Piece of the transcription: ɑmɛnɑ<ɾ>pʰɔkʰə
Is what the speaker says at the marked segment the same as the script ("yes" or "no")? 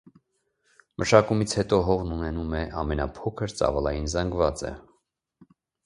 no